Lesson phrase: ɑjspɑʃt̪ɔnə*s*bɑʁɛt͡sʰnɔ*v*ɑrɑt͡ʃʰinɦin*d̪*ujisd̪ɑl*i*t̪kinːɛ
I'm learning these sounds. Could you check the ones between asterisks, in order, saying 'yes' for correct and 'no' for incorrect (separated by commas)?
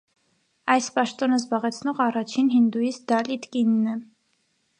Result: no, no, yes, yes